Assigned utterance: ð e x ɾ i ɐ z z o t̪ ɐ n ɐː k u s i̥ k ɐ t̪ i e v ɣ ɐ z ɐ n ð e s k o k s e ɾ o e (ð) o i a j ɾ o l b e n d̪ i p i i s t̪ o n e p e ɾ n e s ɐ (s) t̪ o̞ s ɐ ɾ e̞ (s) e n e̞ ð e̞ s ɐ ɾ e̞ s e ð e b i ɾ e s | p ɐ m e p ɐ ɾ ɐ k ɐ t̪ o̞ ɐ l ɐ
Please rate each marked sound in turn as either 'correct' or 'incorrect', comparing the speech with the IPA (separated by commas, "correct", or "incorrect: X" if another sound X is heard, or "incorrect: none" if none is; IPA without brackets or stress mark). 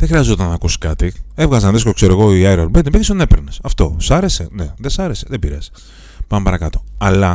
incorrect: ɣ, incorrect: f, correct